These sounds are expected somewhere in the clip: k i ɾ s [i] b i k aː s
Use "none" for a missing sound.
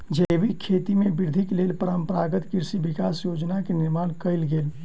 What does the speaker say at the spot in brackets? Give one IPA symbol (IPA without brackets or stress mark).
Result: i